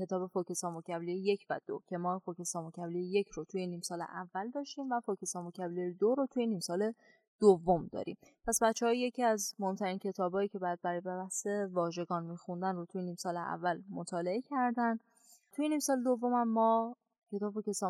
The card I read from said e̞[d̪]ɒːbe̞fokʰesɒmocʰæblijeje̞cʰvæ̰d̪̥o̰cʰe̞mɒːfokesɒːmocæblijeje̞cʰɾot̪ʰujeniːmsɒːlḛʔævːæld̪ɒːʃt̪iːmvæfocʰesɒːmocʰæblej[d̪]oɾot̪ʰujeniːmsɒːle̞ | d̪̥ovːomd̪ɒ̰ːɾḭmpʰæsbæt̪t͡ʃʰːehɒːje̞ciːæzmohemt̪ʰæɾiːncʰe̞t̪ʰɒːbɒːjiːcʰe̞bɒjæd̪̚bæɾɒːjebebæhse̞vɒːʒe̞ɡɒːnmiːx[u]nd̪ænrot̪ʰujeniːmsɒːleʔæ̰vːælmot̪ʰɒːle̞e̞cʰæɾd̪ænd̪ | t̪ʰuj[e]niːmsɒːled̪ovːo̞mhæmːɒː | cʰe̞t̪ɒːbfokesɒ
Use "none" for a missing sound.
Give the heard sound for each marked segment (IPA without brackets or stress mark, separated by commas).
t̪, d̪, u, e